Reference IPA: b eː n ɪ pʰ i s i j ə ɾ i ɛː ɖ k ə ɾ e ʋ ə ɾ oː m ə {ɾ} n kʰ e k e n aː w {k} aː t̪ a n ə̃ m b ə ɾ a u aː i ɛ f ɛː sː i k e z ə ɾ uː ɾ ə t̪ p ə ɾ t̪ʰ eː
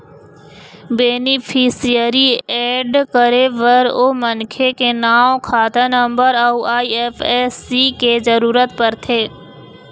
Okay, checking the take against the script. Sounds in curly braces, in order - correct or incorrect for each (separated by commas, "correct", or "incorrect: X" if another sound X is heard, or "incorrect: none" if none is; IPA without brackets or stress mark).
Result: incorrect: none, incorrect: kʰ